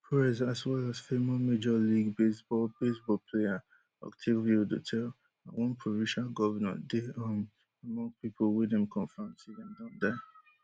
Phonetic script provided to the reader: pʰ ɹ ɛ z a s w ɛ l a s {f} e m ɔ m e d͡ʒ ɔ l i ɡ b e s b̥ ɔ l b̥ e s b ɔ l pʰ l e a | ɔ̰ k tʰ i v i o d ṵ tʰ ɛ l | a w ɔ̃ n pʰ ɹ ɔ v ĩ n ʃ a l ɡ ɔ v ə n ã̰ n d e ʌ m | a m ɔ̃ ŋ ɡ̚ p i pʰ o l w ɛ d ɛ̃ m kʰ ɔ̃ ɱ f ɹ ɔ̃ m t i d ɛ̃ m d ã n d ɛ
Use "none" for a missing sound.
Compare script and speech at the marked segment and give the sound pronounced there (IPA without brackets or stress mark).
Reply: f